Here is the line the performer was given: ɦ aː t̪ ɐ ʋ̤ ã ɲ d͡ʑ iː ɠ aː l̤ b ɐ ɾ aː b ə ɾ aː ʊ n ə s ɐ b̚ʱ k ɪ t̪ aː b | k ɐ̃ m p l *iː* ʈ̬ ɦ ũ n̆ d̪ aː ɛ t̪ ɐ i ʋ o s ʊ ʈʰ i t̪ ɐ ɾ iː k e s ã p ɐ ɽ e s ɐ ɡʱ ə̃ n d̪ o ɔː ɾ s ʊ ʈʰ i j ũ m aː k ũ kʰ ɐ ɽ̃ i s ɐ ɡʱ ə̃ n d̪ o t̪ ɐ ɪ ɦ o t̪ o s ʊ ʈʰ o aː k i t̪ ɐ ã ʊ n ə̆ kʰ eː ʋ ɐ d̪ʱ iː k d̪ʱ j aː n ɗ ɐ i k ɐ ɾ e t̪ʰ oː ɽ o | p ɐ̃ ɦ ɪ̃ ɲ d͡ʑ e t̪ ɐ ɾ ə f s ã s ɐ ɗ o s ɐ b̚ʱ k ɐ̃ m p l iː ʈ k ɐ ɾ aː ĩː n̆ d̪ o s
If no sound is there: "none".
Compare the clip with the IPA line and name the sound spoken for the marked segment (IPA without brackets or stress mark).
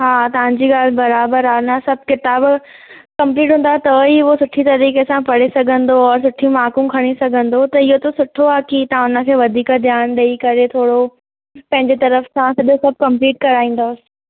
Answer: iː